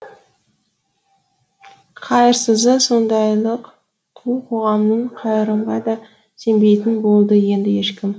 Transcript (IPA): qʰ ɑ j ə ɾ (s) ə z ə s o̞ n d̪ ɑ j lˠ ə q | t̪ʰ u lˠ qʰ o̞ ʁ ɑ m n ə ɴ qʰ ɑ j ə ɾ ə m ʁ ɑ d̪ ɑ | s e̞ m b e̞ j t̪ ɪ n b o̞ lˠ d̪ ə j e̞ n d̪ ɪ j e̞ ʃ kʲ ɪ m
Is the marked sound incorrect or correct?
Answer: correct